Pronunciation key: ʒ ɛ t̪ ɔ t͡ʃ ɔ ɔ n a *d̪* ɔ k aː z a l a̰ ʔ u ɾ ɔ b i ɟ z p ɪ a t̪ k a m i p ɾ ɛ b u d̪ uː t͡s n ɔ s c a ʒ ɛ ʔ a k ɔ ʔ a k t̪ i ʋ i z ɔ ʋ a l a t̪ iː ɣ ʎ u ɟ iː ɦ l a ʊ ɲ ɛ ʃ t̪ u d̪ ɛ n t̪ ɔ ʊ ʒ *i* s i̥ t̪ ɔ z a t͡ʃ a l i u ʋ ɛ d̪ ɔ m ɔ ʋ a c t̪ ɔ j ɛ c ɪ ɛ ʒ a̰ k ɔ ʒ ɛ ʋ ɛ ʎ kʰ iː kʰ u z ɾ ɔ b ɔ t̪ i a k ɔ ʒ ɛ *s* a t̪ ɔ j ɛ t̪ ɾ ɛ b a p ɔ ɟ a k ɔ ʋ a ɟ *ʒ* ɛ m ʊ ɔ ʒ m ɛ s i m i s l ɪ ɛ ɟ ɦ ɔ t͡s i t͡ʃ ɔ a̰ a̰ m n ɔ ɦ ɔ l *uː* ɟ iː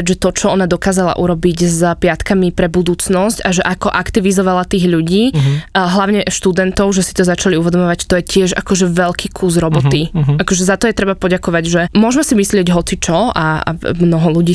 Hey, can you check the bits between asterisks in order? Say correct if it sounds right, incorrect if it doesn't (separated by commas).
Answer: correct, incorrect, incorrect, correct, incorrect